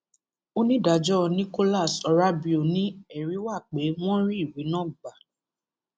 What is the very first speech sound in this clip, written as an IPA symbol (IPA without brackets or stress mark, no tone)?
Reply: o